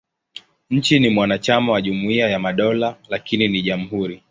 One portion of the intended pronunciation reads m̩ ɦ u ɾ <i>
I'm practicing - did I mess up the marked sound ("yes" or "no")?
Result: no